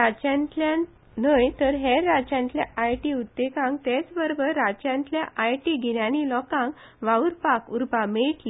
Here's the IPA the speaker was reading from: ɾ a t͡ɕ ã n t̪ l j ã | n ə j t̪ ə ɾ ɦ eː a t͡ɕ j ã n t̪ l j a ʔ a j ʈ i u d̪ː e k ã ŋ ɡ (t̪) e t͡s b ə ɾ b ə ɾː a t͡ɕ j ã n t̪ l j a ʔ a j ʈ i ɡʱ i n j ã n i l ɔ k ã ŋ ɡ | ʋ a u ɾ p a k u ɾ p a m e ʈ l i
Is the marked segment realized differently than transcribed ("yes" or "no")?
no